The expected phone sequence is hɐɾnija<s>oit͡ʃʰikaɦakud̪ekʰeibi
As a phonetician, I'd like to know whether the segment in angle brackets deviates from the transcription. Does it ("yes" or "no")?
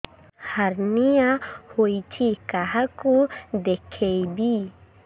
yes